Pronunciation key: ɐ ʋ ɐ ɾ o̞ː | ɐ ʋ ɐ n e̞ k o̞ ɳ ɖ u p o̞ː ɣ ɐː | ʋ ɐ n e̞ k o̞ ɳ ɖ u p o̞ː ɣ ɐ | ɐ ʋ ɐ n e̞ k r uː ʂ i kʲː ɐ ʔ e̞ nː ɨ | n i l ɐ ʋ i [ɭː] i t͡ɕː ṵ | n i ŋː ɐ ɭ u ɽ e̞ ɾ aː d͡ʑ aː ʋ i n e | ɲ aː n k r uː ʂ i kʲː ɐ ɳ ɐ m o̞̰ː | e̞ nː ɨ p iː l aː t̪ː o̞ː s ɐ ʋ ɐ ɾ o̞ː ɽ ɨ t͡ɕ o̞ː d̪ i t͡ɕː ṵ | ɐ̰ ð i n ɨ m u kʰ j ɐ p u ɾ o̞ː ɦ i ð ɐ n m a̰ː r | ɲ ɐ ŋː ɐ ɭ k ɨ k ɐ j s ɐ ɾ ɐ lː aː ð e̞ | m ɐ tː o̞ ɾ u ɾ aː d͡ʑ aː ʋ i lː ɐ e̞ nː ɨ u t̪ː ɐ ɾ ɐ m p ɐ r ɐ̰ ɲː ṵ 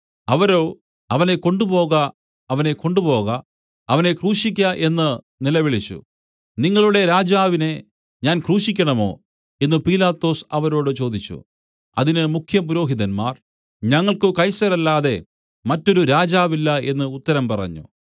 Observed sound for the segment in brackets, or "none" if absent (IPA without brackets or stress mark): ɭ